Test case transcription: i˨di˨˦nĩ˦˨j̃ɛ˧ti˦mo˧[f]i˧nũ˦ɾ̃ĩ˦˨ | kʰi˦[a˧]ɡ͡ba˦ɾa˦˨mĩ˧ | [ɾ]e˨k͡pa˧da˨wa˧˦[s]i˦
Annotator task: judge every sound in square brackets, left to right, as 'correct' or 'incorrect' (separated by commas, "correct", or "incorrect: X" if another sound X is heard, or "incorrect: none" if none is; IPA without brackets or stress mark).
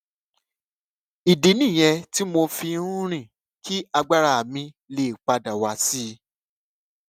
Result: correct, correct, incorrect: l, correct